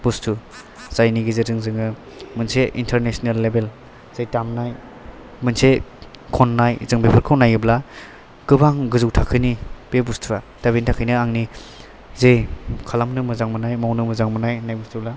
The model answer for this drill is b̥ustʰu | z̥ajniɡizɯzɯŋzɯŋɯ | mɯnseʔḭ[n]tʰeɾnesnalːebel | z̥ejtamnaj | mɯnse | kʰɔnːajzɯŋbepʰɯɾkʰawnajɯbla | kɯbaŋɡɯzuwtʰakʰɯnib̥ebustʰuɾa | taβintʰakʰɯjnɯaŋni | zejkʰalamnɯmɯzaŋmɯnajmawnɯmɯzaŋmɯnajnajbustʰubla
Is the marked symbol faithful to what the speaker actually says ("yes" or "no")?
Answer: yes